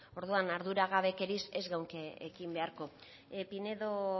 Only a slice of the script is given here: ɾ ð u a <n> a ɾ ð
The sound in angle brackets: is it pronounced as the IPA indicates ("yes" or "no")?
yes